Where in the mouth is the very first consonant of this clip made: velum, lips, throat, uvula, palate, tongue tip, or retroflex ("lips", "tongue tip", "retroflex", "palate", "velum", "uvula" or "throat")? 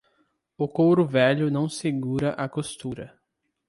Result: velum